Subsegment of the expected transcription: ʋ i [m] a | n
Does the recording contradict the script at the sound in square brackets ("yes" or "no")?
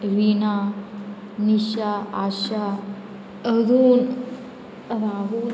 yes